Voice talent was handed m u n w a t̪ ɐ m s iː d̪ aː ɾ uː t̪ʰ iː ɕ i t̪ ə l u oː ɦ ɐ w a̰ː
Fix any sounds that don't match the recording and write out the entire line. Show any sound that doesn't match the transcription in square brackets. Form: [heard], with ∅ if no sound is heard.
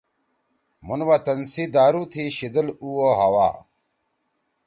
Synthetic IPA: m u n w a t̪ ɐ [n] s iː d̪ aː ɾ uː t̪ʰ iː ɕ i [d̪] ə l u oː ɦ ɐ w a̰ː